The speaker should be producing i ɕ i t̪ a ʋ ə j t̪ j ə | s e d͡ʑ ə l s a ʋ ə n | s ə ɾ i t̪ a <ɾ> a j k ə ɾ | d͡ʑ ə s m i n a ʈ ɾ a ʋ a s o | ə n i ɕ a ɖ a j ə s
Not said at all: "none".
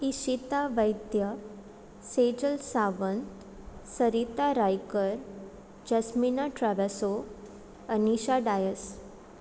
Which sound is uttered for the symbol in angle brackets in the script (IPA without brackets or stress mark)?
ɾ